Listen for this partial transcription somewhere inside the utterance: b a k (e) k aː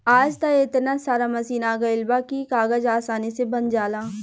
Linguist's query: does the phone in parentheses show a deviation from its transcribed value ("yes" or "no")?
yes